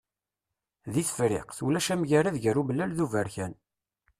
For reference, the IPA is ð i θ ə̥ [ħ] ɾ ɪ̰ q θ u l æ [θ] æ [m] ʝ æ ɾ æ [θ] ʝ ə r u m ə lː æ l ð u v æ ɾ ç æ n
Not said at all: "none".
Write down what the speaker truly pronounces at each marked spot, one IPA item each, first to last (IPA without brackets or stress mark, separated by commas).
f, ʃ, m, ð